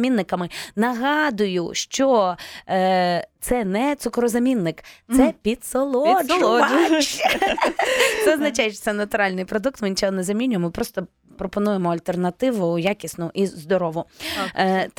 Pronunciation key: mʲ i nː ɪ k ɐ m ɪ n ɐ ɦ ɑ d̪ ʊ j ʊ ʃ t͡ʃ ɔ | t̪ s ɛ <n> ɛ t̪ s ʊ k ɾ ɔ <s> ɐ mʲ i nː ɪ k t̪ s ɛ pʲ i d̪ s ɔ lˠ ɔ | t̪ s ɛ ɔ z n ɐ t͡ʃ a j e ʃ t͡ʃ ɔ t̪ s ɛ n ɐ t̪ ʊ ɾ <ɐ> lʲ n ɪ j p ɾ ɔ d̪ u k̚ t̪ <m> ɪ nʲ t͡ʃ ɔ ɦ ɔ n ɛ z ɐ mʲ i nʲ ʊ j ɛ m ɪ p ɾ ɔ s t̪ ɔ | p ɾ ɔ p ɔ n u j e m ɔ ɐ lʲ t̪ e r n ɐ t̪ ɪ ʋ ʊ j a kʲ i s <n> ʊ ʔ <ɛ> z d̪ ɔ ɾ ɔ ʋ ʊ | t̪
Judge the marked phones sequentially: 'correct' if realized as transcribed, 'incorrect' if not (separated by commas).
correct, incorrect, incorrect, correct, correct, incorrect